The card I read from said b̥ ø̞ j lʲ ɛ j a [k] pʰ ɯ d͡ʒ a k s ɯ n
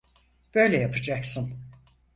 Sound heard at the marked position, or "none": none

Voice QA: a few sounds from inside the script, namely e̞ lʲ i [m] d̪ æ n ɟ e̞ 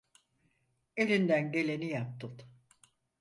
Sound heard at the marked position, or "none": n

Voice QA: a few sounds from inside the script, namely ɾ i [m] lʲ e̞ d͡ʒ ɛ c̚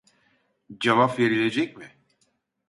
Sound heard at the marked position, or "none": none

